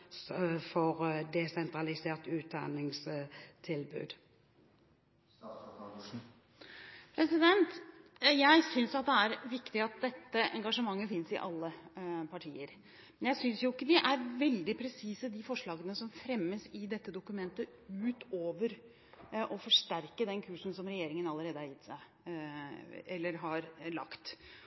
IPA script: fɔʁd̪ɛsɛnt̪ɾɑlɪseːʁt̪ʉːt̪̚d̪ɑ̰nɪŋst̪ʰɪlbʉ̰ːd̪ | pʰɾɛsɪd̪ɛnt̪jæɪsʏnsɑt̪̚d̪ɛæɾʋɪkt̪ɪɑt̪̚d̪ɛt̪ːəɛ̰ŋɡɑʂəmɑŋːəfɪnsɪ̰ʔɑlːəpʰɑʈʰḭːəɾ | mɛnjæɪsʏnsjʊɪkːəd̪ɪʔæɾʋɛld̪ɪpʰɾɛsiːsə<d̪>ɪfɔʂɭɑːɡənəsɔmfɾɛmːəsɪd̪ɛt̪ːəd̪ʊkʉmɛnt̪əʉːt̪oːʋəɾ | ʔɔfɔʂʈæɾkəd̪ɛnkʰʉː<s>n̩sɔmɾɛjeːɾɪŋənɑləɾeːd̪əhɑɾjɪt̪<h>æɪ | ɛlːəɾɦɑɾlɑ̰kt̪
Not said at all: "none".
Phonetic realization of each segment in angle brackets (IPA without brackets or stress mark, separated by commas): d̪, ʂ, s